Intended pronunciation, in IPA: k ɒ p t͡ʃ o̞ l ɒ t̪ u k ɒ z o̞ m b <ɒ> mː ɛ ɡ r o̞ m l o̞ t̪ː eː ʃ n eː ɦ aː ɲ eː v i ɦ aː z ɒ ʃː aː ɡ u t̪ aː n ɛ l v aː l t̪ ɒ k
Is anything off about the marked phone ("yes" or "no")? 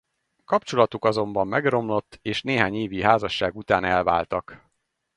no